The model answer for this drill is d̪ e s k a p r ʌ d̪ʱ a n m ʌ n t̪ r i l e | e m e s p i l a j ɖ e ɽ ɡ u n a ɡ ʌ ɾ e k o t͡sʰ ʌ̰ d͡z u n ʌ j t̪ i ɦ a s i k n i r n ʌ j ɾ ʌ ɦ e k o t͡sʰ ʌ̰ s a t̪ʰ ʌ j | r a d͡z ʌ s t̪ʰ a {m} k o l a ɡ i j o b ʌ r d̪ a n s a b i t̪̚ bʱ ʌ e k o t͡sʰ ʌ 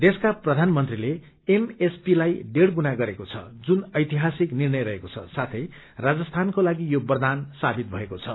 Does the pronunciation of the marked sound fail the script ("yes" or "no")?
yes